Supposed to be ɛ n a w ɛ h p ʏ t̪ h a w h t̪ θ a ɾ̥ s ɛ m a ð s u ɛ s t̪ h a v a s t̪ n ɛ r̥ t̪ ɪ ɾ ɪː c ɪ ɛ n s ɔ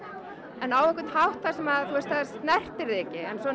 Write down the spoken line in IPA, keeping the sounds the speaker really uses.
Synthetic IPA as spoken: ɛ n a w ɛ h k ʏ t̪ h a w h t̪ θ a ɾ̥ s ɛ m a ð θ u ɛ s t̪ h a ð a s t̪ n ɛ r̥ t̪ ɪ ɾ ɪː c ɪ ɛ n s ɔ